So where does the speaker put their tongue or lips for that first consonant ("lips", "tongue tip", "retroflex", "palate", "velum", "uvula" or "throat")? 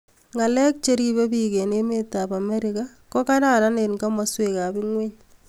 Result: velum